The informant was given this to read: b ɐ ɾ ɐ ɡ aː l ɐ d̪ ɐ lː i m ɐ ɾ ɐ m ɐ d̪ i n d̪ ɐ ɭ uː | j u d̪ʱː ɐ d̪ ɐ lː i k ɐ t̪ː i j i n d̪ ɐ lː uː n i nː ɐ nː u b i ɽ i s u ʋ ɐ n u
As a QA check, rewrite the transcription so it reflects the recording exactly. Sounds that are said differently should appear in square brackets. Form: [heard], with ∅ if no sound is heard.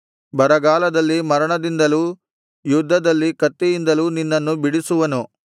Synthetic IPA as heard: b ɐ ɾ ɐ ɡ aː l ɐ d̪ ɐ lː i m ɐ ɾ ɐ [ɳ] ɐ d̪ i n d̪ ɐ [l] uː | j u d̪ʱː ɐ d̪ ɐ lː i k ɐ t̪ː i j i n d̪ ɐ [l] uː n i nː ɐ nː u b i ɽ i s u ʋ ɐ n u

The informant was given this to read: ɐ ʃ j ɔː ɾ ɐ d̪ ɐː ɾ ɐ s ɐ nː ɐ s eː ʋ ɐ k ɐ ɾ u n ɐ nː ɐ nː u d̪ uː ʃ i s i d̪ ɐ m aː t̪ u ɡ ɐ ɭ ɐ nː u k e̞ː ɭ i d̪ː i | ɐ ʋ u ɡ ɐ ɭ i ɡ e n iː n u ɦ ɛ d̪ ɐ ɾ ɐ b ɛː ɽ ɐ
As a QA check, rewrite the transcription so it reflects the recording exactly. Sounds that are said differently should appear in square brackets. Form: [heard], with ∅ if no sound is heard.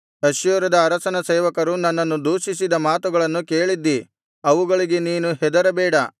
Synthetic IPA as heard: ɐ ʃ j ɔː ɾ ɐ d̪ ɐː ɾ ɐ s ɐ [n] ɐ s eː ʋ ɐ k ɐ ɾ u n ɐ nː ɐ nː u d̪ uː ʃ i s i d̪ ɐ m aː t̪ u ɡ ɐ ɭ ɐ nː u k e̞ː ɭ i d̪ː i | ɐ ʋ u ɡ ɐ ɭ i ɡ e n iː n u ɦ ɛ d̪ ɐ ɾ ɐ b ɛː ɽ ɐ

